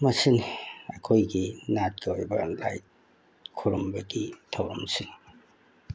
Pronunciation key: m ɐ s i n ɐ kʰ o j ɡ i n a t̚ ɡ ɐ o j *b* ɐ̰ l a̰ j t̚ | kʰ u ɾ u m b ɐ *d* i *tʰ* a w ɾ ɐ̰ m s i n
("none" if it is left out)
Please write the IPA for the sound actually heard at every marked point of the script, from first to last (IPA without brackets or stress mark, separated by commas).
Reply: b, ɡ, tʰ